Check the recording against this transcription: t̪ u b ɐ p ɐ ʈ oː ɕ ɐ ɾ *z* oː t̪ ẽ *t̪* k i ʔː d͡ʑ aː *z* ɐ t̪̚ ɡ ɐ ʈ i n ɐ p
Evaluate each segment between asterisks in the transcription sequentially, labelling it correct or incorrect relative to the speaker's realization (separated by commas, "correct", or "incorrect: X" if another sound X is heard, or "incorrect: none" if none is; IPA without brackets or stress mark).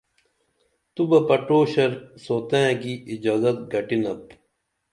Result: incorrect: s, incorrect: none, correct